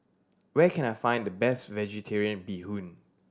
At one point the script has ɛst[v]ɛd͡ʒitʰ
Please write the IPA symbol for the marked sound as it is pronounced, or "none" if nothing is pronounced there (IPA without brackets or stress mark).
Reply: v